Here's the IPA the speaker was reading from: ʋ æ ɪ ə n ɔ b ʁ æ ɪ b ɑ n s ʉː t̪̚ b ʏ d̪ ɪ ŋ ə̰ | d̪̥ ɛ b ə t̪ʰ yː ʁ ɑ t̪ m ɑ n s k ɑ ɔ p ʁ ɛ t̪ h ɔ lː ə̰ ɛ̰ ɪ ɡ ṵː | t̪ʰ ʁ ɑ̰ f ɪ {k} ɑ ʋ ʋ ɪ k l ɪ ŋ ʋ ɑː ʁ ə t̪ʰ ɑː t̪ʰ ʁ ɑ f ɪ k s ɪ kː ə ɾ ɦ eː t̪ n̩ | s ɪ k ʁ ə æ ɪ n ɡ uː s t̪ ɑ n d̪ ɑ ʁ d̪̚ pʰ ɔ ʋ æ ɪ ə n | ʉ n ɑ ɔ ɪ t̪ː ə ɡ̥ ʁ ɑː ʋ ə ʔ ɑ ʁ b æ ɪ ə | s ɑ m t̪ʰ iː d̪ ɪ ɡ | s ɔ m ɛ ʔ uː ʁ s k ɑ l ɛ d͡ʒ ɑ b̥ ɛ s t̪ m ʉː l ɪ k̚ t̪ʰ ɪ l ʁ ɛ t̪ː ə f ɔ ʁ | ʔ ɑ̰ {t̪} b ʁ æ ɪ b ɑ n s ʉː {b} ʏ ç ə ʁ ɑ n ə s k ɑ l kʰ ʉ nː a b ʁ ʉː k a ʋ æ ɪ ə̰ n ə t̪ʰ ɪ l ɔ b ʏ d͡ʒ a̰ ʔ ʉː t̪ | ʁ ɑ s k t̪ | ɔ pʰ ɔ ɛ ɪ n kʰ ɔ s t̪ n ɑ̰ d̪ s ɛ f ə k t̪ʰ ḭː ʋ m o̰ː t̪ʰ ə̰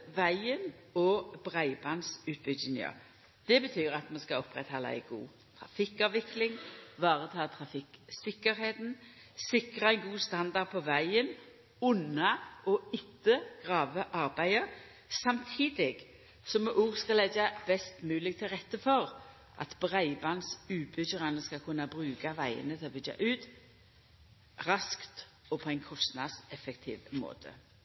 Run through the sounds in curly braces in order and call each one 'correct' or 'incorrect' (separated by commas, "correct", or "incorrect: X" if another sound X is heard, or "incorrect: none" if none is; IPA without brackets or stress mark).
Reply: correct, correct, correct